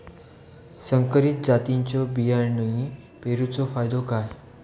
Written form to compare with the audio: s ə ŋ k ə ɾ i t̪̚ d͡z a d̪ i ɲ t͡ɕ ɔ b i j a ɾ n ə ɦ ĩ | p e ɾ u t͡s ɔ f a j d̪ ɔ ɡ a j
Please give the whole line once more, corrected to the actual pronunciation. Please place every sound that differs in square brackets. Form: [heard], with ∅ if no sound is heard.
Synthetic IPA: s ə ŋ k ə ɾ i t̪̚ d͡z a [t̪] i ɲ t͡ɕ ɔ b i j a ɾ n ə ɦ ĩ | p e ɾ u t͡s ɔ f a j d̪ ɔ [k] a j